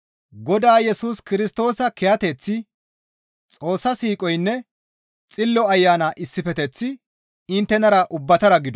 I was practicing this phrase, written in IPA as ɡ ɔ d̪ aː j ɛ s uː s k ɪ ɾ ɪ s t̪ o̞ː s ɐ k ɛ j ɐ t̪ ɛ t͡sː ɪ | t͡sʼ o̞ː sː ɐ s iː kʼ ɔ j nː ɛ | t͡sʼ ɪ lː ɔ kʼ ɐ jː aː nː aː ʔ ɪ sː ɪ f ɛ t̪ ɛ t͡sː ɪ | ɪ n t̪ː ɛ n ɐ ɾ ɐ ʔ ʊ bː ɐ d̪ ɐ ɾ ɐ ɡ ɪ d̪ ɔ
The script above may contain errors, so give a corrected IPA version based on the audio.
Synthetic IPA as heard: ɡ ɔ d̪ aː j ɛ s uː s k ɪ ɾ ɪ s t̪ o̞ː s ɐ k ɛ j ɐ t̪ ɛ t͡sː ɪ | t͡sʼ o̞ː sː ɐ s iː kʼ ɔ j nː ɛ | t͡sʼ ɪ lː ɔ ɐ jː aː n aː ʔ ɪ sː ɪ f ɛ t̪ ɛ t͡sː ɪ | ɪ n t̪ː ɛ n ɐ ɾ ɐ ʔ ʊ bː ɐ t̪ ɐ ɾ ɐ ɡ ɪ d̪ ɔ